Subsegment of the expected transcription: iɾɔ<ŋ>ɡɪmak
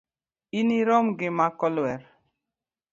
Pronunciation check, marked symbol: incorrect: m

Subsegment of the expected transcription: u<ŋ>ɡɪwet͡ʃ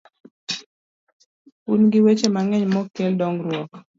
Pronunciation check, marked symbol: incorrect: n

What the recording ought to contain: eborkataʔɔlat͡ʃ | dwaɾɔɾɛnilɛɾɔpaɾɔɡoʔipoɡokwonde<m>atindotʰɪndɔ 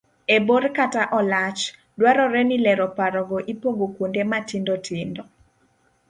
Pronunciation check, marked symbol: correct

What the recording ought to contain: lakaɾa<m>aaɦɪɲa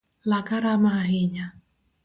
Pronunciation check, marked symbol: correct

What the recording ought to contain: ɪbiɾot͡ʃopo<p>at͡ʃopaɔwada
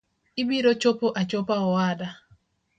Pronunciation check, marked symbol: incorrect: ʔ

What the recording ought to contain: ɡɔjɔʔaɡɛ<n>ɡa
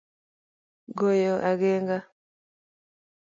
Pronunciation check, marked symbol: incorrect: ŋ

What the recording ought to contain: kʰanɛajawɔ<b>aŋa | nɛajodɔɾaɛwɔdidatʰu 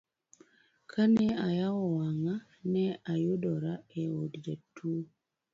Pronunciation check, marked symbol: incorrect: w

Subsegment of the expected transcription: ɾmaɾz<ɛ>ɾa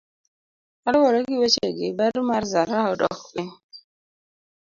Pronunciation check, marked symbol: incorrect: a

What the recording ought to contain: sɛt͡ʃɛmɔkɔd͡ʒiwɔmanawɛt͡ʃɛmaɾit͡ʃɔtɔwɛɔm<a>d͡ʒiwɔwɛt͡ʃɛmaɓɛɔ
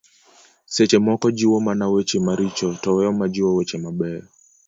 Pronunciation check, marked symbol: correct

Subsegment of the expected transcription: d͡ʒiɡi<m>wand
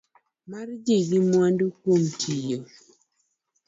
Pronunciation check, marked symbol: correct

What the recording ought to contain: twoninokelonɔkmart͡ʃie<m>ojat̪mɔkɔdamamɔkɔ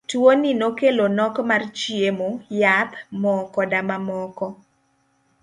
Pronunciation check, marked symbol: correct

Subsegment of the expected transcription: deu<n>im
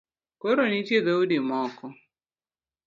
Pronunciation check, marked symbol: incorrect: d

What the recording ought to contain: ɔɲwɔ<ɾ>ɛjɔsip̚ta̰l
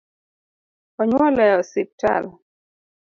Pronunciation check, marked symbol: incorrect: l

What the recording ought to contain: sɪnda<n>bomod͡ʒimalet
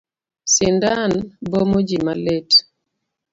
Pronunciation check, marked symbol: correct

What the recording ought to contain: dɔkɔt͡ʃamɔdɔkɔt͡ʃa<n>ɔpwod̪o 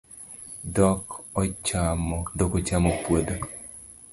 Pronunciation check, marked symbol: incorrect: m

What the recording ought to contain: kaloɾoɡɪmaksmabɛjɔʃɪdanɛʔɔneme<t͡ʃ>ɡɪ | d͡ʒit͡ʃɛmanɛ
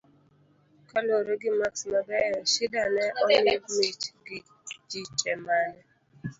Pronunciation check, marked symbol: correct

